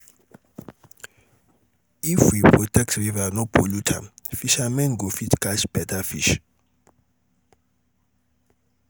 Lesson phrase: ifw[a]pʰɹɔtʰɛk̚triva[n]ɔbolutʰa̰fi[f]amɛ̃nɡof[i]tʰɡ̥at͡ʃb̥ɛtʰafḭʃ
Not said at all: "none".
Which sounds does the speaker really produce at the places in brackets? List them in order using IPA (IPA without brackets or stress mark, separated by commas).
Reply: i, n, ʃ, i